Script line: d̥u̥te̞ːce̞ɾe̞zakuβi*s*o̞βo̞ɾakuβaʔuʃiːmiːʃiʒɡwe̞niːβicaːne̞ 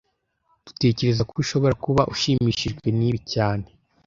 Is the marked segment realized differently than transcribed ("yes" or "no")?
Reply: yes